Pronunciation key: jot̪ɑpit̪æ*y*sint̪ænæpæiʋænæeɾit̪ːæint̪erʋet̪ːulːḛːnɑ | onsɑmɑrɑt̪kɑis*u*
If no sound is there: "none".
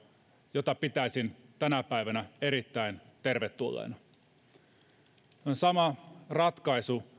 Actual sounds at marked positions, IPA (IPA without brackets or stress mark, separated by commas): i, u